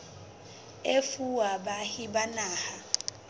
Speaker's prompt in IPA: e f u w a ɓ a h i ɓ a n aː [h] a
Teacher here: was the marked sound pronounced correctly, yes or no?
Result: yes